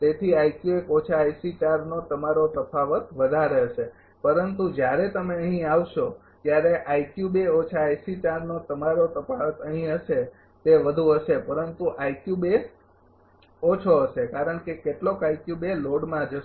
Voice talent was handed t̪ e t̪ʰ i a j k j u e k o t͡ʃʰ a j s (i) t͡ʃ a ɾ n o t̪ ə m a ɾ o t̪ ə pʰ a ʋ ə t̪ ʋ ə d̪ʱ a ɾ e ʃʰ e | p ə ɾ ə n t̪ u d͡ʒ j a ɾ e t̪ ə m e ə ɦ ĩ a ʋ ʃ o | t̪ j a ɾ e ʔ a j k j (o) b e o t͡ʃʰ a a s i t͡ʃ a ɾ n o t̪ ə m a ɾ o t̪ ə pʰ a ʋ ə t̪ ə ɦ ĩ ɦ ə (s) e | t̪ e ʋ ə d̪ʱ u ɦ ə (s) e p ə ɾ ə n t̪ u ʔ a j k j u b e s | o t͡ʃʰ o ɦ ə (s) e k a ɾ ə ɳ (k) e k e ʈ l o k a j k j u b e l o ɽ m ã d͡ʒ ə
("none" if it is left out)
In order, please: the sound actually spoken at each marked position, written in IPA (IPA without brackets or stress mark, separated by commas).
i, u, ʃ, ʃ, ʃ, k